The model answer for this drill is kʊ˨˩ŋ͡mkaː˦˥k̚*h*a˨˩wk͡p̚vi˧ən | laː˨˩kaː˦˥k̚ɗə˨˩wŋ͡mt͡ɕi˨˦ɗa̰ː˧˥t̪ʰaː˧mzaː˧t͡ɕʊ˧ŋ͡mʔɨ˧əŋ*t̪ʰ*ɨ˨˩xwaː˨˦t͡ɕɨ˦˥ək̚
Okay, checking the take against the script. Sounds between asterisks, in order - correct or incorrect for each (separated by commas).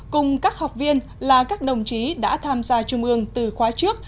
correct, incorrect